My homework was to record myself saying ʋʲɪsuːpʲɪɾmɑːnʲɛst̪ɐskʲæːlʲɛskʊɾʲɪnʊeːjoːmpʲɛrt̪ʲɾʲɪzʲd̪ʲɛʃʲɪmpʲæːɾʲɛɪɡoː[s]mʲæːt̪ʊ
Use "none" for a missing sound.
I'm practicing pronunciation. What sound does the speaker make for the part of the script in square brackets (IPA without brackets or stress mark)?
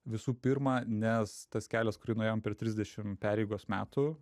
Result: s